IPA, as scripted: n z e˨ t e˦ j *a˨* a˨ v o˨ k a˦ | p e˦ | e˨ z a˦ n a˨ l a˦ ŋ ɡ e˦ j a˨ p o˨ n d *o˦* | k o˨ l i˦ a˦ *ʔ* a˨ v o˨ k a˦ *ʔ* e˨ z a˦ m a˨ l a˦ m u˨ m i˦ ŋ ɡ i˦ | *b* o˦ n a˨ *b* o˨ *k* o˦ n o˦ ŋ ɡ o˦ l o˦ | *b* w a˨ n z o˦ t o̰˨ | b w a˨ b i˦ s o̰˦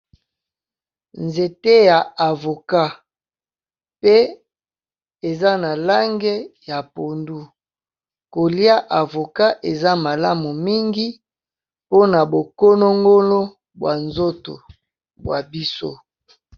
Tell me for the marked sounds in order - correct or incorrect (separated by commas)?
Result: correct, incorrect, correct, correct, incorrect, correct, correct, correct